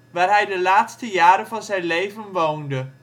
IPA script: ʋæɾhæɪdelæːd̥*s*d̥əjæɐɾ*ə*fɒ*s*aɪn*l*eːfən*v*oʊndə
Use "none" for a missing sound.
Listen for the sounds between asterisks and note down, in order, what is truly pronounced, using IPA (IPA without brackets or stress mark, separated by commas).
s, ə, s, l, ʋ